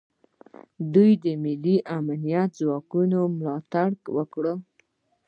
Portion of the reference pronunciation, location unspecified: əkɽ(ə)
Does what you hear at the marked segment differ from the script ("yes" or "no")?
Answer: no